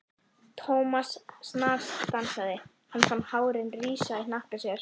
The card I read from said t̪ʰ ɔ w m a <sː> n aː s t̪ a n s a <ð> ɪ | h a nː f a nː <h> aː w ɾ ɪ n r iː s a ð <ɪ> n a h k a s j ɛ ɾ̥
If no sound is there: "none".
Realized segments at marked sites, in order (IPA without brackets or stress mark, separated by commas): sː, ð, h, ɪ